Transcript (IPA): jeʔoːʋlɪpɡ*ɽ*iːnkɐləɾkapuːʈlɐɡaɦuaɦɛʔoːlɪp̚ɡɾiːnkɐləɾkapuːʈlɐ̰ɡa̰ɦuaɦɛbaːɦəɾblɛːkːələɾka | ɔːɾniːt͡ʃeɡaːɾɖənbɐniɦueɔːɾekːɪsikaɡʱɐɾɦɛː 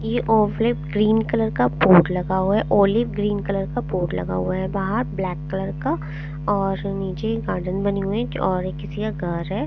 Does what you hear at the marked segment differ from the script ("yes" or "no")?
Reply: yes